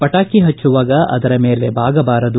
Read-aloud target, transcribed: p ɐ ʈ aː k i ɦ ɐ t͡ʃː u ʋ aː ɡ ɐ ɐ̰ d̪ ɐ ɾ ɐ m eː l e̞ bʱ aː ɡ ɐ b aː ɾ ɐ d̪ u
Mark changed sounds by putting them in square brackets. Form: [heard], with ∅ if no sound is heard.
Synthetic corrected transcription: p ɐ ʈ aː k i ɦ ɐ t͡ʃː u ʋ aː ɡ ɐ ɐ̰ d̪ ɐ ɾ ɐ m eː l e̞ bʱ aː ɡ ɐ b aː ɾ ɐ d̪ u